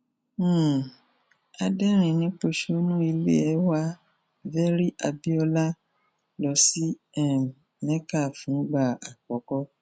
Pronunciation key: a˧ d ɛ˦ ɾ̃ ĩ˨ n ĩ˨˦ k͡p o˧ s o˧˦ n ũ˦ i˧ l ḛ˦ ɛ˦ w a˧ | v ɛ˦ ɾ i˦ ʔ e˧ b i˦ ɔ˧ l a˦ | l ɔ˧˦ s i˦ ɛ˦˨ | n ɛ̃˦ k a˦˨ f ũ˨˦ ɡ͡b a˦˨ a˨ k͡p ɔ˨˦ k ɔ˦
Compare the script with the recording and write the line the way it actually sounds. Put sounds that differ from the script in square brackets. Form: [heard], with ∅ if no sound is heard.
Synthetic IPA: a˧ d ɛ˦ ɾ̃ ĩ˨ n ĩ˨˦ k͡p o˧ [ʃ] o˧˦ n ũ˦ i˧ l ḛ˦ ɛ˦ w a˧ | v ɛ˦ ɾ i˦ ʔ [a˧] b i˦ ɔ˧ l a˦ | l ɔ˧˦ s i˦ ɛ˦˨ | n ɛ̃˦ k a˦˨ f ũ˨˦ ɡ͡b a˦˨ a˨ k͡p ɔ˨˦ k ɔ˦